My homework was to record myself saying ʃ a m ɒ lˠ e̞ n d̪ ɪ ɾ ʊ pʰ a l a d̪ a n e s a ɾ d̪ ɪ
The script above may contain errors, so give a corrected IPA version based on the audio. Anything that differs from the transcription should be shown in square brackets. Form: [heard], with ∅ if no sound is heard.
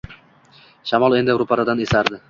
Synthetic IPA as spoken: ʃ a m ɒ lˠ e̞ n d̪ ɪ ɾ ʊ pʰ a [ɾ] a d̪ a n e s a ɾ d̪ ɪ

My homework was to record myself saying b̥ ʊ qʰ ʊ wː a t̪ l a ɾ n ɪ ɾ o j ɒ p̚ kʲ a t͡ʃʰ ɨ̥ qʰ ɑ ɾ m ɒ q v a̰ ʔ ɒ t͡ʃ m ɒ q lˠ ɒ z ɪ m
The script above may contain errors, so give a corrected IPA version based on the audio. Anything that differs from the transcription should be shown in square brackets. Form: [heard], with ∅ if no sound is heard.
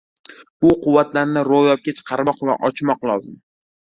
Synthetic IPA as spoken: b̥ ʊ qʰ ʊ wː a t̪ l a ɾ n ɪ ɾ o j ɒ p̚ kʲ a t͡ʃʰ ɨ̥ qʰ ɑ ɾ m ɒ q v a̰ ʔ ɒ t͡ʃ m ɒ q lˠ ɒ z ɪ m

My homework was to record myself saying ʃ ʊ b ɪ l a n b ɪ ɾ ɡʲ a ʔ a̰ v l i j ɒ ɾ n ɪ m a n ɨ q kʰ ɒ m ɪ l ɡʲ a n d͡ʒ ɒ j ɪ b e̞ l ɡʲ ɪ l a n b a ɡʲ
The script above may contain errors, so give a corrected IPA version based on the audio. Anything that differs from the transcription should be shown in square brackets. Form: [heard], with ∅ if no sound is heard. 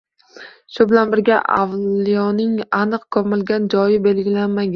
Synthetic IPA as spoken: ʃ ʊ b ɪ l a n b ɪ ɾ ɡʲ a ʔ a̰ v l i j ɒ [∅] n ɪ [ŋ] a n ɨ q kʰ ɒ m ɪ l ɡʲ a n d͡ʒ ɒ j ɪ b e̞ l ɡʲ ɪ l a n [m] a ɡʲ

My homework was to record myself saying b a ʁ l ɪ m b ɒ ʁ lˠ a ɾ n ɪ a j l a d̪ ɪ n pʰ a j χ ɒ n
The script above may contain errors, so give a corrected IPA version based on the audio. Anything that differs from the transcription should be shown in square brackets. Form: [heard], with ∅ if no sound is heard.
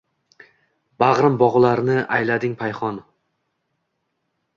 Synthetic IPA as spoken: b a ʁ [ɾ] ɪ m b ɒ ʁ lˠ a ɾ n ɪ a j l a d̪ ɪ [ŋ] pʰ a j χ ɒ n

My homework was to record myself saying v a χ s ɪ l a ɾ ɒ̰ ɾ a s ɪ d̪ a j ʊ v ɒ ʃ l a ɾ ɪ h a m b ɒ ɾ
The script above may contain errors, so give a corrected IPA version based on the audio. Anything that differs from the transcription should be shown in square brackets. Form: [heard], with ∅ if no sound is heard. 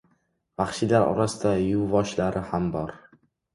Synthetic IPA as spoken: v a χ [ʃ] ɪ l a ɾ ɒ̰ ɾ a s ɪ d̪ a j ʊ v ɒ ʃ l a ɾ ɪ h a m b ɒ ɾ

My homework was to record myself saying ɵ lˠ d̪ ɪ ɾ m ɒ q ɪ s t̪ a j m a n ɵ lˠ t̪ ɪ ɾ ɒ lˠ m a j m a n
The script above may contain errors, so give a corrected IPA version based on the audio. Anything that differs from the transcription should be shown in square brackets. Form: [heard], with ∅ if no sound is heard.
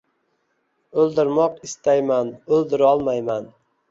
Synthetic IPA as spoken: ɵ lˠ d̪ ɪ ɾ m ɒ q ɪ s t̪ a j m a n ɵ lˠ [d̪] ɪ ɾ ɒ lˠ m a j m a n

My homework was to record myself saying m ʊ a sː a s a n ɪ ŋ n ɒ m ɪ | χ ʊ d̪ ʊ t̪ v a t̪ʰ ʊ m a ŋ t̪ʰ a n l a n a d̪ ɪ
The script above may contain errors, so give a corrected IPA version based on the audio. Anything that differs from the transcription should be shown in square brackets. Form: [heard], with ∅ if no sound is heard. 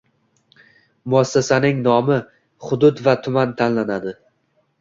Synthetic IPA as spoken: m ʊ a sː a s a n ɪ ŋ n ɒ m ɪ | χ ʊ d̪ ʊ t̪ v a t̪ʰ ʊ m a [n] t̪ʰ a n l a n a d̪ ɪ

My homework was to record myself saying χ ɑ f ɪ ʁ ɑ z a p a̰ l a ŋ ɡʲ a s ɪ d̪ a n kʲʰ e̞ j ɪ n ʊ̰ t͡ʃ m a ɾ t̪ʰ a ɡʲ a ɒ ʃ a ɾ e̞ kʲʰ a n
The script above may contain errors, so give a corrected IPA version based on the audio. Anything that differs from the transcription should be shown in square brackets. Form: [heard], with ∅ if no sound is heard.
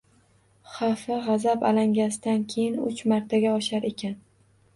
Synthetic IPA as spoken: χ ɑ f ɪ ʁ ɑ z a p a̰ l a ŋ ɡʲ a s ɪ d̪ a n kʲʰ e̞ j ɪ n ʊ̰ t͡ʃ m a ɾ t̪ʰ a ɡʲ a ɒ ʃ a ɾ e̞ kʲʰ a n

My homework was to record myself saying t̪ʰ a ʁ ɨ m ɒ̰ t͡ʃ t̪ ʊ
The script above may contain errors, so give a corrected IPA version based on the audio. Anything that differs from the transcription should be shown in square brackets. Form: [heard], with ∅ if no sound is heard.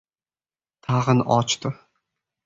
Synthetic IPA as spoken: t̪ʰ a ʁ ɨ [n] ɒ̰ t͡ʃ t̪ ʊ

